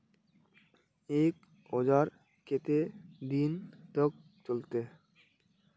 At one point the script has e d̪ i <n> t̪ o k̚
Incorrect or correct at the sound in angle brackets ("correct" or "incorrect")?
correct